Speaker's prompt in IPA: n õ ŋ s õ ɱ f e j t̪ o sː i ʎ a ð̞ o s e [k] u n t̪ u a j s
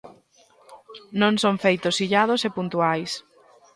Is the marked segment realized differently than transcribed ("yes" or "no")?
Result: yes